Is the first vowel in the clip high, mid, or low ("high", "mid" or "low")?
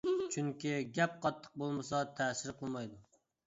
high